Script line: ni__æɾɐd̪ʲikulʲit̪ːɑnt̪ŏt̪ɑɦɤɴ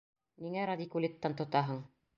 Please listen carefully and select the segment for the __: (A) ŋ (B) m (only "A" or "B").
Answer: A